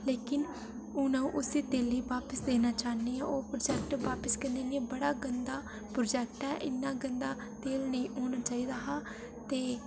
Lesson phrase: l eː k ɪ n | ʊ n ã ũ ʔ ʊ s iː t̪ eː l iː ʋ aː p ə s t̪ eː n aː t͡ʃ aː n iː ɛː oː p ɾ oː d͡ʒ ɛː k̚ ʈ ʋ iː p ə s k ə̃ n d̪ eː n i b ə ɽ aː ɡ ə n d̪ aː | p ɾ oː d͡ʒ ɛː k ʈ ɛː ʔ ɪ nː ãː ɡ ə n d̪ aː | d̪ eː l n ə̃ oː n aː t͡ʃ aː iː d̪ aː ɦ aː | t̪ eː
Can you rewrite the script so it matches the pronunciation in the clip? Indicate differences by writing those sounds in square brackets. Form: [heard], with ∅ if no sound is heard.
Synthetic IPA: l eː k ɪ n | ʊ n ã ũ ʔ ʊ s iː t̪ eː l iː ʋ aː p ə s [d̪] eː n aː t͡ʃ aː n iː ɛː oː p ɾ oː d͡ʒ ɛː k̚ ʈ ʋ [aː] p ə s k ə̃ n d̪ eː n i b ə ɽ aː ɡ ə n d̪ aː | p ɾ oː d͡ʒ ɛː k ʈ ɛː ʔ ɪ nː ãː ɡ ə n d̪ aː | [t̪] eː l n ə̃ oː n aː t͡ʃ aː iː d̪ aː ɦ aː | t̪ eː

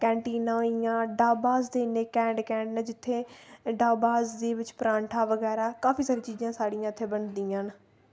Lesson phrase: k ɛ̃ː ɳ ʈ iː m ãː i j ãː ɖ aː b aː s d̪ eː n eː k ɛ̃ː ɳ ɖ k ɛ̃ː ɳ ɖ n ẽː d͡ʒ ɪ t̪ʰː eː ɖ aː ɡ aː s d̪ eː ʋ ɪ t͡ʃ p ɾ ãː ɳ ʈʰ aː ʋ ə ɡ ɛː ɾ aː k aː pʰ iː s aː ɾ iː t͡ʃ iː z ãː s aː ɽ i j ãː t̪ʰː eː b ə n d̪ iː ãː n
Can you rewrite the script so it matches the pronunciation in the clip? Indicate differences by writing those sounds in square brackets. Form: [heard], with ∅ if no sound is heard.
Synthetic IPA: k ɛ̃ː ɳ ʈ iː [n] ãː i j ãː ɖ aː b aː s d̪ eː n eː k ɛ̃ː ɳ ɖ k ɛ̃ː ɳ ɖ n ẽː d͡ʒ ɪ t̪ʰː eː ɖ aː [b] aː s d̪ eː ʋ ɪ t͡ʃ p ɾ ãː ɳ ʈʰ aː ʋ ə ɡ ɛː ɾ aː k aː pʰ iː s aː ɾ iː t͡ʃ iː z ãː s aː ɽ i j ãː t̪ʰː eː b ə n d̪ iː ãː n

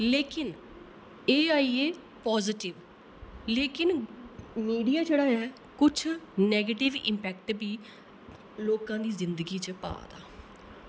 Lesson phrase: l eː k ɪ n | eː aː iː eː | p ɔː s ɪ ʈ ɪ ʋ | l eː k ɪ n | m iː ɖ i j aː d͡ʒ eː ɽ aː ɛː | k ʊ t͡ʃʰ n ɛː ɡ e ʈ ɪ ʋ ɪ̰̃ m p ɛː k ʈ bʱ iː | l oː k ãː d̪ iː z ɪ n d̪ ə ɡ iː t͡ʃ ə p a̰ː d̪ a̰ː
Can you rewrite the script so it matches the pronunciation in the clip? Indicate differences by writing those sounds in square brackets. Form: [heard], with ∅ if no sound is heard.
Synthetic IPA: l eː k ɪ n | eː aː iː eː | p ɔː [z] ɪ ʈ ɪ ʋ | l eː k ɪ n | m iː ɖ i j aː d͡ʒ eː ɽ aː ɛː | k ʊ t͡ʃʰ n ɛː ɡ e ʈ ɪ ʋ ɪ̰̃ m p ɛː k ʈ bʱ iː | l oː k ãː d̪ iː z ɪ n d̪ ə ɡ iː t͡ʃ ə p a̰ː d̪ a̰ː

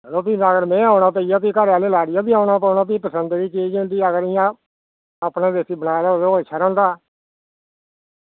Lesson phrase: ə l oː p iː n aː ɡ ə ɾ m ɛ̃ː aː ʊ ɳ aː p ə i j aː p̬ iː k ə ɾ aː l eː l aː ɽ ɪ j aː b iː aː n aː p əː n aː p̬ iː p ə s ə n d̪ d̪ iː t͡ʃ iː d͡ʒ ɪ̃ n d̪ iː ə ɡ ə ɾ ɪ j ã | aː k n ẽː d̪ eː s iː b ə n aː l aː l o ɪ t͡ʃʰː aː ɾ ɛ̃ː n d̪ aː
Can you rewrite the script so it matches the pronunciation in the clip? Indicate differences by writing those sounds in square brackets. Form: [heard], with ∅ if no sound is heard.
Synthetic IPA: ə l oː p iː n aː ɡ ə ɾ m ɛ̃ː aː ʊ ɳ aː p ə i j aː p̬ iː k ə ɾ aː l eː l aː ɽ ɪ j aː b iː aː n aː p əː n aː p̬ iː p ə s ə n d̪ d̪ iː t͡ʃ iː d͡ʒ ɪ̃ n d̪ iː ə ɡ ə ɾ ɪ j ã | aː [p] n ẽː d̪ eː s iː b ə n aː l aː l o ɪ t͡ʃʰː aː ɾ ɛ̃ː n d̪ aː

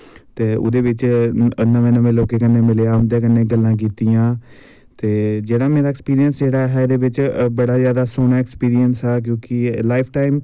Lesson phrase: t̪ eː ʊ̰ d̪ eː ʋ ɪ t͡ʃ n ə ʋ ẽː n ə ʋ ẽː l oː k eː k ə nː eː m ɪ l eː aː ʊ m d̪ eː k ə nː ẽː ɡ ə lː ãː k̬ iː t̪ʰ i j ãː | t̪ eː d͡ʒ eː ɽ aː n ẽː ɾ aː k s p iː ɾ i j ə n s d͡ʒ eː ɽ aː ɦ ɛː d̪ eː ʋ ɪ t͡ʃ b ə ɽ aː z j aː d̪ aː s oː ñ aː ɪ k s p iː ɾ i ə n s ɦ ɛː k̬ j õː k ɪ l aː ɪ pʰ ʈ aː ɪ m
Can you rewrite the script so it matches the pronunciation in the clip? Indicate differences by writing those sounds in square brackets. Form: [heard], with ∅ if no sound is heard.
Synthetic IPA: t̪ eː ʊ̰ d̪ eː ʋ ɪ t͡ʃ n ə ʋ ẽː n ə ʋ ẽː l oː k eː k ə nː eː m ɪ l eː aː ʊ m d̪ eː k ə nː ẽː ɡ ə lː ãː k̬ iː [t̪] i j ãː | t̪ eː d͡ʒ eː ɽ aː [m] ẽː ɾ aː k s p iː ɾ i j ə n s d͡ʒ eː ɽ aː ɦ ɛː d̪ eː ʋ ɪ t͡ʃ b ə ɽ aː z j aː d̪ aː s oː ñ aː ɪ k s p iː ɾ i ə n s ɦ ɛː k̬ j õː k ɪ l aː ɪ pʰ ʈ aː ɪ m

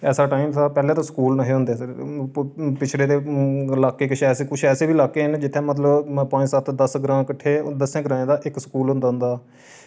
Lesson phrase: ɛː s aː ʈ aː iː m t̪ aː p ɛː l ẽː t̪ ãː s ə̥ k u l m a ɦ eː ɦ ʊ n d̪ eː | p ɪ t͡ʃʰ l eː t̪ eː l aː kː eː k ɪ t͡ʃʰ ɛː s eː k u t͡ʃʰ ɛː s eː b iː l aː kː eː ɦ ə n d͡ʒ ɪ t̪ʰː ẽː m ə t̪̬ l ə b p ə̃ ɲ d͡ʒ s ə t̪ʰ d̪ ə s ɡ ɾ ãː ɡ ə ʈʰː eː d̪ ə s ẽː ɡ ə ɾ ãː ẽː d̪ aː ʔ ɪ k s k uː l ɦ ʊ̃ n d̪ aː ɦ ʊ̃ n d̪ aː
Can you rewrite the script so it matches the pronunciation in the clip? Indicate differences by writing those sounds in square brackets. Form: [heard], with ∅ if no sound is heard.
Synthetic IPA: ɛː s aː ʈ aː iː m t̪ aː p ɛː l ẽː t̪ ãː s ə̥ k [uː] l [n] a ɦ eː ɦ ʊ n d̪ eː | p ɪ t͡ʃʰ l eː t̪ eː l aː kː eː k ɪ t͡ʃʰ ɛː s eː k [ʊ] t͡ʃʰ ɛː s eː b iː l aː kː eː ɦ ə n d͡ʒ ɪ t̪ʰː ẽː m ə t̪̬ l ə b p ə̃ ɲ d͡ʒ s ə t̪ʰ d̪ ə s ɡ ɾ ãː [k] ə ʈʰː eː d̪ ə s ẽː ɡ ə ɾ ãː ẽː d̪ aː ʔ ɪ k s k uː l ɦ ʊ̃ n d̪ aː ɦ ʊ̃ n d̪ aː

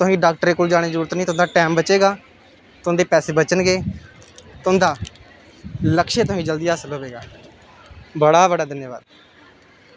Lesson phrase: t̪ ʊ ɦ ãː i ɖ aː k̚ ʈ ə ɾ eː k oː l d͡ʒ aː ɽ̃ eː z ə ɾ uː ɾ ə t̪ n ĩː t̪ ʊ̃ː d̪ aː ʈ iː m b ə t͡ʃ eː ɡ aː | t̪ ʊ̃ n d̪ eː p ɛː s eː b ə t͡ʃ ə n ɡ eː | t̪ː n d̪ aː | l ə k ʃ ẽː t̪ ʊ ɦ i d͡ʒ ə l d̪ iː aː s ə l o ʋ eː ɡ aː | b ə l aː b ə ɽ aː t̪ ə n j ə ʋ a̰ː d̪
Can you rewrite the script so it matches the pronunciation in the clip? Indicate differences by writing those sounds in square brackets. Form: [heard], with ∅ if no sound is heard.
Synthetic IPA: t̪ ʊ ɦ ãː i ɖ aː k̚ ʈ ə ɾ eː k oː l d͡ʒ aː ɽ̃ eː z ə ɾ uː ɾ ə t̪ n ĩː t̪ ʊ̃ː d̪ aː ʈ [ɛː] m b ə t͡ʃ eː ɡ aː | t̪ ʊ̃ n d̪ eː p ɛː s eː b ə t͡ʃ ə n ɡ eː | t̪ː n d̪ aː | l ə k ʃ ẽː t̪ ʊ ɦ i d͡ʒ ə l d̪ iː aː s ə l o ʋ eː ɡ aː | b ə [ɽ] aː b ə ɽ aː [d̪] ə n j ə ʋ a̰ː d̪

